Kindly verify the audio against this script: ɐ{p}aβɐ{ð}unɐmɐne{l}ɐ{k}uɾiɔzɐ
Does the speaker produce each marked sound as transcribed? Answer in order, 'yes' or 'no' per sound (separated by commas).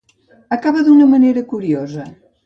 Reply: no, yes, no, yes